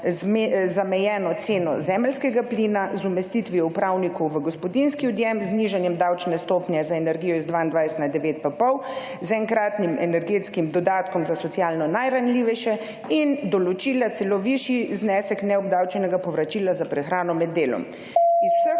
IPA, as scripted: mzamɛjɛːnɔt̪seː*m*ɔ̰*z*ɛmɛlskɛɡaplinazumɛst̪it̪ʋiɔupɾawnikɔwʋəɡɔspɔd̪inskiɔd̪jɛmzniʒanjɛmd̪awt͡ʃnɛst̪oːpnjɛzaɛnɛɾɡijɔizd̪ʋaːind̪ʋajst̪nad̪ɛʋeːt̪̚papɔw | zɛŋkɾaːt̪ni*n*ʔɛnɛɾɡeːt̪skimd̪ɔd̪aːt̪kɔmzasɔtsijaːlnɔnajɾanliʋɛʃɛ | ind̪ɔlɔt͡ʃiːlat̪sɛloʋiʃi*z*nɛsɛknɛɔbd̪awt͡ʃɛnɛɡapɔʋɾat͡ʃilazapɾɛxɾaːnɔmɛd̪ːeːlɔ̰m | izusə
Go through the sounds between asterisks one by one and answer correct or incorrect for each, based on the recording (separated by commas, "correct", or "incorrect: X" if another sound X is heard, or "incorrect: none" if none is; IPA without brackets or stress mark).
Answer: incorrect: n, correct, incorrect: m, correct